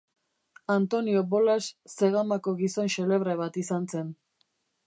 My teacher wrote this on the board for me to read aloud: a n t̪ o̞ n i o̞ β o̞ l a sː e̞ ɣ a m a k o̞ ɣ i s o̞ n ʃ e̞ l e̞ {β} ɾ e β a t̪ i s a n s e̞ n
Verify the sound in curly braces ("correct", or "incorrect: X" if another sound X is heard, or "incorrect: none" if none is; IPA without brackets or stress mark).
correct